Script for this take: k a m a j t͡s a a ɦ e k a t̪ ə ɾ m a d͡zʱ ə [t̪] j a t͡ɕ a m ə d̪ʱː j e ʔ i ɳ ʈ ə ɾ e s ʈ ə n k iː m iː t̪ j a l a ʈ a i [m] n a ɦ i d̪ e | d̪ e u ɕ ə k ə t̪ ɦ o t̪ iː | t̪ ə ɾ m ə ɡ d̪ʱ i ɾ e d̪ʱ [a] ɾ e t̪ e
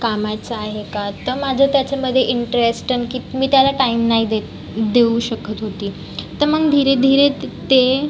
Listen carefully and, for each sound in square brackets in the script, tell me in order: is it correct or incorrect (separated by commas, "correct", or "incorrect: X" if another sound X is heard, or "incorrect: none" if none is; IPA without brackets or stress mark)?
correct, correct, incorrect: i